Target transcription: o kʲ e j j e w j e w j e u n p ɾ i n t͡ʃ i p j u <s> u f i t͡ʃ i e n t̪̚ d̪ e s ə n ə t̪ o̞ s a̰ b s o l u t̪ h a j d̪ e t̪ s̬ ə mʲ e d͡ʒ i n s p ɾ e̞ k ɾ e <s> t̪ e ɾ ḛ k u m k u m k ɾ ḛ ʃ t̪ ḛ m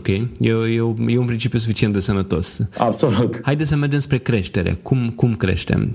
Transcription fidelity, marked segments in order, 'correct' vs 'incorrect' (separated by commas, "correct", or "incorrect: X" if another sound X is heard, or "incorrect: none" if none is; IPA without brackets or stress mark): correct, incorrect: ʃ